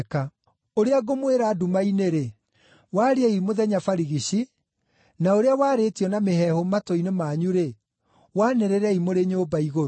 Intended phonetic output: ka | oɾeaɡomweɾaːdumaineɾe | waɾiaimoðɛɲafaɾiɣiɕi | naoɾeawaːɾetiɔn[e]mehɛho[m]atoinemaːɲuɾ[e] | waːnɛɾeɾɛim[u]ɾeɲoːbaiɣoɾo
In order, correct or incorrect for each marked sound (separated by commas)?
incorrect, correct, correct, incorrect